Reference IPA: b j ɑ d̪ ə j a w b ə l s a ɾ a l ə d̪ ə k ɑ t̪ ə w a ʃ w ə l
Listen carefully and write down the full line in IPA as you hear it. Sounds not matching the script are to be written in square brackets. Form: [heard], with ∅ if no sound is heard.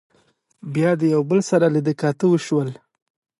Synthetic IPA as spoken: b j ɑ d̪ ə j a w b ə l s a ɾ a l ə d̪ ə k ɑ t̪ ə w [ə] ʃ w ə l